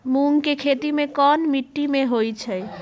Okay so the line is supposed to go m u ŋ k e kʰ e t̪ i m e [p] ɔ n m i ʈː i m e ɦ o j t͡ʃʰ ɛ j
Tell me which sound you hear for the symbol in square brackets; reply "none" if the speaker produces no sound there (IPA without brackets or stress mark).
k